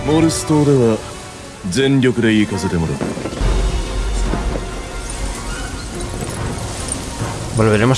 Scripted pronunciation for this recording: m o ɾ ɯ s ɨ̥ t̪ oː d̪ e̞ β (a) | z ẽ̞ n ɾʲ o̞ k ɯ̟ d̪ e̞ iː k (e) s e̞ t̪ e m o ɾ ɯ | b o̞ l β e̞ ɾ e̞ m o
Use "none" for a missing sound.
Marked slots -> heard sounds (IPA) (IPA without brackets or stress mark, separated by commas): a, a